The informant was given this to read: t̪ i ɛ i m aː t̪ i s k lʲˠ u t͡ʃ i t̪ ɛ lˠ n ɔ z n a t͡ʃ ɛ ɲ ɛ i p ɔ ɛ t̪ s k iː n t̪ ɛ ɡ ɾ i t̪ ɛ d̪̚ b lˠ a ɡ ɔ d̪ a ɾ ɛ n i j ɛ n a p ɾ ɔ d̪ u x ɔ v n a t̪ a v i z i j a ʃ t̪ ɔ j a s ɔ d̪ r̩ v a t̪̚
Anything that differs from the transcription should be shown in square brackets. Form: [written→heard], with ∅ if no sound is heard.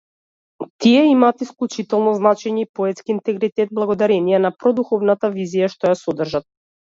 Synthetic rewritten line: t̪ i ɛ i m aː t̪ i s k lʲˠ u t͡ʃ i t̪ ɛ lˠ n ɔ z n a t͡ʃ ɛ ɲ ɛ i p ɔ ɛ t̪ s k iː n t̪ ɛ ɡ ɾ i t̪ ɛ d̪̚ b lˠ a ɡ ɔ d̪ a ɾ ɛ n i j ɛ n a p ɾ ɔ d̪ u x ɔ v n a t̪ a v i z i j a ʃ t̪ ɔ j a s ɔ d̪ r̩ [v→ʒ] a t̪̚